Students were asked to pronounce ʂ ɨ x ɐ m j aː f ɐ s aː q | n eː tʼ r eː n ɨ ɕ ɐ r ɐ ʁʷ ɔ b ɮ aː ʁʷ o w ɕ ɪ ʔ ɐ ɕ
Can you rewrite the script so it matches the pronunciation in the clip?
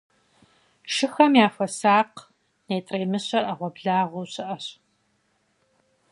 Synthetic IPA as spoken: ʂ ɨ x ɐ m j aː f ɐ s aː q | n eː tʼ r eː m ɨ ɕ ɐ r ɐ ʁʷ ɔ b ɮ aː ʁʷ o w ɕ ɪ ʔ ɐ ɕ